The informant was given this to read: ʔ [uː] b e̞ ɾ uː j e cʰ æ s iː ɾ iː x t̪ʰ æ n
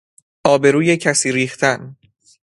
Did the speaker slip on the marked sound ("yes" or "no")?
yes